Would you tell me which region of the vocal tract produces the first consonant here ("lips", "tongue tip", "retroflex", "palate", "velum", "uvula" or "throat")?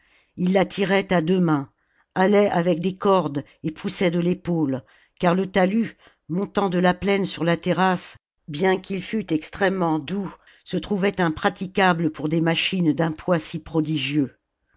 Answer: tongue tip